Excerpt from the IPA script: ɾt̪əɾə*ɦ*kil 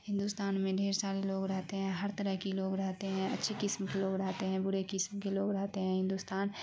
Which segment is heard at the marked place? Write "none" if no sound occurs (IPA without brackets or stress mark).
ɦ